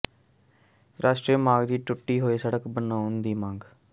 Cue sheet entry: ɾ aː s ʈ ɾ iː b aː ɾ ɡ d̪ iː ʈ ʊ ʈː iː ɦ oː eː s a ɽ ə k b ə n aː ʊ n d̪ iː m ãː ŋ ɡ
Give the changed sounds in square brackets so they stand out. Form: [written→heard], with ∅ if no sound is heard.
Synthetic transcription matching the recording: ɾ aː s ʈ ɾ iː [b→m] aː [ɾ→∅] ɡ d̪ iː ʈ ʊ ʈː iː ɦ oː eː s [a→ə] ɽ ə k b ə n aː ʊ n d̪ iː m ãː ŋ ɡ

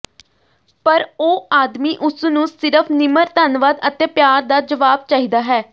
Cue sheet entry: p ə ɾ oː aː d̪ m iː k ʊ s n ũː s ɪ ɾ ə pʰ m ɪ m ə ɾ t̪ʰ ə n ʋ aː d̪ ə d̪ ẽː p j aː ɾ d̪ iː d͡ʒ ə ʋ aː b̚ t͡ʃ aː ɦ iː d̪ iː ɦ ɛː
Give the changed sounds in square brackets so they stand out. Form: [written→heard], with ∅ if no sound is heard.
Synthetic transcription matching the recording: p ə ɾ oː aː d̪ m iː [k→ʔ] ʊ s n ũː s ɪ ɾ ə pʰ [m→n] ɪ m ə ɾ [t̪ʰ→t̪] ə n ʋ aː d̪ ə [d̪→t̪] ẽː p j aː ɾ d̪ [iː→aː] d͡ʒ ə ʋ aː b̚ t͡ʃ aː ɦ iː d̪ [iː→aː] ɦ ɛː

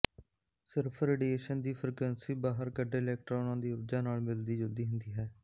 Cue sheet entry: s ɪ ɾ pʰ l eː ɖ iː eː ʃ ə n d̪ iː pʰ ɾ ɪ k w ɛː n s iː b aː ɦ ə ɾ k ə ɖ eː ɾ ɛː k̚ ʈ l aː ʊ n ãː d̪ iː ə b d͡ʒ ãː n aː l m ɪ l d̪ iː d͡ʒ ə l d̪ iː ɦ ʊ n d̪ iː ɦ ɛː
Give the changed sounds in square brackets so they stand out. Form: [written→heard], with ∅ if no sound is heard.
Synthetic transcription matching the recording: s ɪ ɾ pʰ [l→ɾ] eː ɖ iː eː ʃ ə n d̪ iː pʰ ɾ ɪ k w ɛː n s iː b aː ɦ ə ɾ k ə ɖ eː [ɾ→l] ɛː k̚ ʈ [l→ɾ] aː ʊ n ãː d̪ iː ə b d͡ʒ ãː n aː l m ɪ l d̪ iː d͡ʒ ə l d̪ iː ɦ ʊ n d̪ iː ɦ ɛː

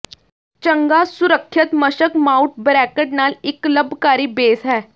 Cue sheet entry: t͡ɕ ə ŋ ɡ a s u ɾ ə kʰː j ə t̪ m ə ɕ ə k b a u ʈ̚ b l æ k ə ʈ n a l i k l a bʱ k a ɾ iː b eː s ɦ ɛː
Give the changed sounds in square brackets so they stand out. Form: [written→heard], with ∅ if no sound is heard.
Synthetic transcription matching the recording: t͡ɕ ə ŋ ɡ a s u ɾ ə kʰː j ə t̪ m ə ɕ ə k [b→m] a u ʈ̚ b [l→ɾ] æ k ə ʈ n a l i k l [a→ə] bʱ k a ɾ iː b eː s ɦ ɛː

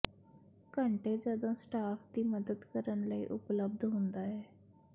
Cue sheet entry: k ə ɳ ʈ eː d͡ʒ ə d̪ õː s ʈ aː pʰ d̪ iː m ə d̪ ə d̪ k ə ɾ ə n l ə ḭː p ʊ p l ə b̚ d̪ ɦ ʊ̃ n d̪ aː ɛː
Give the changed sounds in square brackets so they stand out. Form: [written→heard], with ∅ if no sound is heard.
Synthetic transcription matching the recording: k ə ɳ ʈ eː d͡ʒ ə d̪ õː s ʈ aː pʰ d̪ iː m ə d̪ ə d̪ k ə ɾ ə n l ə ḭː [p→ʔ] ʊ p l ə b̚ d̪ ɦ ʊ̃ n d̪ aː ɛː

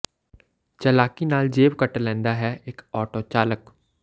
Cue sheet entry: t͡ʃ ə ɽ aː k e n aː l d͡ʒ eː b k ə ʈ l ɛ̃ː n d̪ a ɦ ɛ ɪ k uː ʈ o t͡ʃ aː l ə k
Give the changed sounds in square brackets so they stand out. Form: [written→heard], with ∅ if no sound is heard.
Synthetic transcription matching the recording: t͡ʃ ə [ɽ→l] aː k [e→i] n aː l d͡ʒ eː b k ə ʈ l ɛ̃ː n d̪ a ɦ ɛ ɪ k [uː→ɔː] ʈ o t͡ʃ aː l ə k

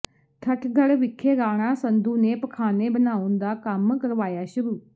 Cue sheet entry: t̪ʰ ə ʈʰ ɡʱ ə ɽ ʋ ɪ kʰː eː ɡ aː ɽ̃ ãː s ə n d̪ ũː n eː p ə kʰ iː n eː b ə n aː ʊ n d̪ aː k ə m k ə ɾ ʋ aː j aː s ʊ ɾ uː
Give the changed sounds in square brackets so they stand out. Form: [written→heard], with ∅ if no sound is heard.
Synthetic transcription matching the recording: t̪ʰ ə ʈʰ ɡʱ ə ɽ ʋ ɪ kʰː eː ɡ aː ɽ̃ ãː s ə n d̪ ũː n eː p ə kʰ [iː→aː] n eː b ə n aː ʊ n d̪ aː k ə m k ə ɾ ʋ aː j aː [s→ʃ] ʊ ɾ uː

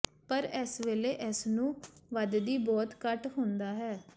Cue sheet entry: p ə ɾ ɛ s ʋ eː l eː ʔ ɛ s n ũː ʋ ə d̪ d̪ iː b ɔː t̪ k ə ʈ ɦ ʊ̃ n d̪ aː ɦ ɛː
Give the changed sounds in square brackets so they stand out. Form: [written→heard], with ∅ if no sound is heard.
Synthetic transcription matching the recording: p ə ɾ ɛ s ʋ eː l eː ʔ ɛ s n ũː ʋ ə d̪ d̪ iː b ɔː t̪ k ə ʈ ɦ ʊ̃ n d̪ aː ɦ ɛː

